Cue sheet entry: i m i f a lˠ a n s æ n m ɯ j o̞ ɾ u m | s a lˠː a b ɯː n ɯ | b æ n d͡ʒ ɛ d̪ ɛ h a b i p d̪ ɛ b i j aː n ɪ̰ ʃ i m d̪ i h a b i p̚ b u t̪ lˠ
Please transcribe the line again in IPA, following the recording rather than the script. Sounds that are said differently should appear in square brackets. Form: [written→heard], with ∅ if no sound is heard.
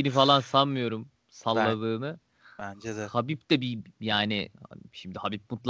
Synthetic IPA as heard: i [m→n] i f a lˠ a n s [æ→a] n m ɯ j o̞ ɾ u m | s a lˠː a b ɯː n ɯ | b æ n d͡ʒ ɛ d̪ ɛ h a b i p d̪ ɛ b i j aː n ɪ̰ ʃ i m d̪ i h a b i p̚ [b→m] u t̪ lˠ